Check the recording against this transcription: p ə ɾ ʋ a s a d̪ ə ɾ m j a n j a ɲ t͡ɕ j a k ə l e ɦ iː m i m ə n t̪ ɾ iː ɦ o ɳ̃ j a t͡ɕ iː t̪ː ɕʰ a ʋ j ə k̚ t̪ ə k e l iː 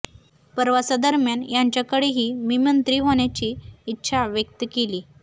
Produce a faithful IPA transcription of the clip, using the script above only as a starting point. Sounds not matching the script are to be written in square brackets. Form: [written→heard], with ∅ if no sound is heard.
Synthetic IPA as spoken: p ə ɾ ʋ a s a d̪ ə ɾ m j a n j a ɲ t͡ɕ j a k ə [l→ɽ] e ɦ iː m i m ə n t̪ ɾ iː ɦ o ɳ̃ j a t͡ɕ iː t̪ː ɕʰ a ʋ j ə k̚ t̪ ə k e l iː

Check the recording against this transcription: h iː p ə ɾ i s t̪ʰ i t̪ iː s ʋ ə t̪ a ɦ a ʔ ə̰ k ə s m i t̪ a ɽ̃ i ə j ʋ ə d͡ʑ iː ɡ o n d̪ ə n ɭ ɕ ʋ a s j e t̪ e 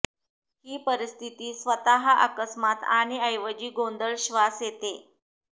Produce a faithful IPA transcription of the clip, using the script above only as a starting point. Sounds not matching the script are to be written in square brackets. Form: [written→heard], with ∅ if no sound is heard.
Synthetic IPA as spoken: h iː p ə ɾ i s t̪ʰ i t̪ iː s ʋ ə t̪ a ɦ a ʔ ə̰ k ə s m [i→a] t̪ a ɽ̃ i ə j ʋ ə d͡ʑ iː ɡ o n d̪ ə [n→∅] ɭ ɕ ʋ a s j e t̪ e

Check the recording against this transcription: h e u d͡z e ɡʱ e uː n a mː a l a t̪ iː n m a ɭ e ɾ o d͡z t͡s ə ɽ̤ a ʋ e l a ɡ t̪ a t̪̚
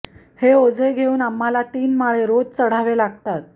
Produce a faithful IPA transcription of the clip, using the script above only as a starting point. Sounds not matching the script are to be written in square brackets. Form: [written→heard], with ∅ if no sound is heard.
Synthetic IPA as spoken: h e [u→o] d͡z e ɡʱ e uː n a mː a l a t̪ iː n m a ɭ e ɾ o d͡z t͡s ə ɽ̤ a ʋ e l a ɡ t̪ a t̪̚

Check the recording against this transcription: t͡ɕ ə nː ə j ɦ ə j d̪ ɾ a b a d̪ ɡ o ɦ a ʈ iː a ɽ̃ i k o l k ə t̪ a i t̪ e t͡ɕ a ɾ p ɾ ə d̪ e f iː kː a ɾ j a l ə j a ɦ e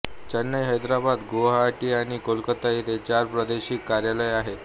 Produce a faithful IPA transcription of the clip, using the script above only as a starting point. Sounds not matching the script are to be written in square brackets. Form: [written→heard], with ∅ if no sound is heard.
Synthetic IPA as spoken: t͡ɕ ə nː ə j ɦ ə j d̪ ɾ a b a d̪ ɡ o ɦ a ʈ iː a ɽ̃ i k o l k ə t̪ a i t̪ e t͡ɕ a ɾ p ɾ ə d̪ e [f→ɕ] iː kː a ɾ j a l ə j a ɦ e

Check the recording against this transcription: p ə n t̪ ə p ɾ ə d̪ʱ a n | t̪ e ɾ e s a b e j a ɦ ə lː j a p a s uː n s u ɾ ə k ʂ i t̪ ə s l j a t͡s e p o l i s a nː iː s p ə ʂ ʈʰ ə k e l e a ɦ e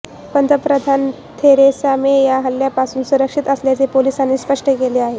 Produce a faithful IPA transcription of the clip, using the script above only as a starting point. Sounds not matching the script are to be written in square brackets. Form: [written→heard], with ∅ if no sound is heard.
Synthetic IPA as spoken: p ə n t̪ ə p ɾ ə d̪ʱ a n | [t̪→t̪ʰ] e ɾ e s a [b→m] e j a ɦ ə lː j a p a s uː n s u ɾ ə k ʂ i t̪ ə s l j a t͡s e p o l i s a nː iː s p ə ʂ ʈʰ ə k e l e a ɦ e

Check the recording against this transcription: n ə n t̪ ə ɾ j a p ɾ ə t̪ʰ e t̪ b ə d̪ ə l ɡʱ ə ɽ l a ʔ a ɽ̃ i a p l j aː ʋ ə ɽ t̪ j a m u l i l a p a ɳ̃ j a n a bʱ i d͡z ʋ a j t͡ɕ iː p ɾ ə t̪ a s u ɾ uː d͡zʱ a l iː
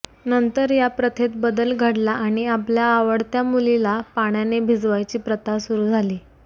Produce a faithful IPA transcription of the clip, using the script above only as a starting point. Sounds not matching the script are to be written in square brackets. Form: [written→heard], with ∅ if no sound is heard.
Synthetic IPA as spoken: n ə n t̪ ə ɾ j a p ɾ ə t̪ʰ e t̪ b ə d̪ ə l ɡʱ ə ɽ l a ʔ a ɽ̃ i a p l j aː ʋ ə ɽ t̪ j a m u l i l a p a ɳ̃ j a n [a→e] bʱ i d͡z ʋ a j t͡ɕ iː p ɾ ə t̪ a s u ɾ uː d͡zʱ a l iː

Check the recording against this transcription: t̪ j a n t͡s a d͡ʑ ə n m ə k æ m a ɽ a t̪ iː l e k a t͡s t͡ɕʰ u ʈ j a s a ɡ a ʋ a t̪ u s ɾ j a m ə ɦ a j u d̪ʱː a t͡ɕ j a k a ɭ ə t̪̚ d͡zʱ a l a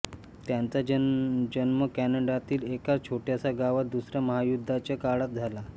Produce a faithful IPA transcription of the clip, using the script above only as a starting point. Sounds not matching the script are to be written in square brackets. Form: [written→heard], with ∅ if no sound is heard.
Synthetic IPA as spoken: t̪ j a n t͡s a d͡ʑ ə n m ə k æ [m→n] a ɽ a t̪ iː l e k a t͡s t͡ɕʰ [u→o] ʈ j a s a ɡ a ʋ a [t̪→d̪] u s ɾ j a m ə ɦ a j u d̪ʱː a t͡ɕ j a k a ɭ [ə→a] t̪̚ d͡zʱ a l a

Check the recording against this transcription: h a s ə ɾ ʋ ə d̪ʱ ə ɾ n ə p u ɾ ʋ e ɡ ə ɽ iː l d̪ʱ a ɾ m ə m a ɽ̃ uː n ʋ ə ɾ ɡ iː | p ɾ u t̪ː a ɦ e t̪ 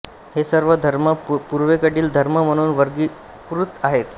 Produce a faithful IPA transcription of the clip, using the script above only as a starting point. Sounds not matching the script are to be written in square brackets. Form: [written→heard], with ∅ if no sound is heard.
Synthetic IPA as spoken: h [a→e] s ə ɾ ʋ ə d̪ʱ ə ɾ [n→m] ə p u ɾ ʋ e [ɡ→k] ə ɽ iː l d̪ʱ [a→ə] ɾ m ə m [a→ə] ɽ̃ uː n ʋ ə ɾ ɡ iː | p ɾ u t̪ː a ɦ e t̪

